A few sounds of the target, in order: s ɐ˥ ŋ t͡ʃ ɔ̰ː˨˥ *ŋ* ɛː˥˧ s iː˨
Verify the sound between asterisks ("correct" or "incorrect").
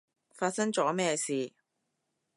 incorrect